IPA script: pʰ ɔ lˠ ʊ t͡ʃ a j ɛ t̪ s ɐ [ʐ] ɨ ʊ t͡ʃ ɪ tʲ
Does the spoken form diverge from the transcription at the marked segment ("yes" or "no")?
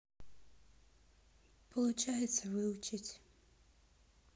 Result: yes